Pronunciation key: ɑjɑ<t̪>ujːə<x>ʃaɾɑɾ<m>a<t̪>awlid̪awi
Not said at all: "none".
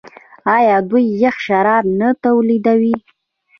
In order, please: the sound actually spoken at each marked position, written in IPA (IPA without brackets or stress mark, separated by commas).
d̪, x, n, t̪